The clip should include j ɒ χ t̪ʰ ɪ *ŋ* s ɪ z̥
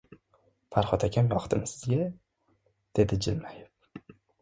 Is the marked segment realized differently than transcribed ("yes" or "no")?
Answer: yes